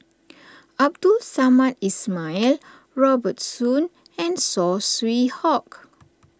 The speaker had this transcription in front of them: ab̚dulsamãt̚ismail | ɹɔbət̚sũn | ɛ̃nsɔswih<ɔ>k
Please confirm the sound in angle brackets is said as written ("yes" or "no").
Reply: yes